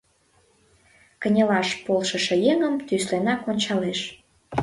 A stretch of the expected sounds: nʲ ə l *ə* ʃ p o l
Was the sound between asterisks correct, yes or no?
no